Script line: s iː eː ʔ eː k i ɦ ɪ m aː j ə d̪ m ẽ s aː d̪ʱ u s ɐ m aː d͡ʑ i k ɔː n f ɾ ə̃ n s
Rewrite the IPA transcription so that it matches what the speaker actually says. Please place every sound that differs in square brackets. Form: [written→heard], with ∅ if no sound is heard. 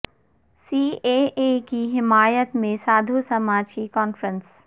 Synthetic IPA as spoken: s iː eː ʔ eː k i ɦ ɪ m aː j ə [d̪→t̪] m ẽ s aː d̪ʱ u s ɐ m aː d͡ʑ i k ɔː n f ɾ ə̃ n s